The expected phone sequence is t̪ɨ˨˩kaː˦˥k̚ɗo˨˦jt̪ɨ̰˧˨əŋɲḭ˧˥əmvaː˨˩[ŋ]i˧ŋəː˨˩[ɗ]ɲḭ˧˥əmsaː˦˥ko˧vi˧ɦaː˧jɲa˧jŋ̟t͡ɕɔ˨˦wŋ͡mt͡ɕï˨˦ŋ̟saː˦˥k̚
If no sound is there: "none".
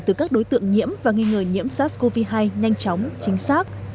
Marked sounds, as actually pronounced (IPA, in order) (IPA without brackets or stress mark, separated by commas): ŋ, none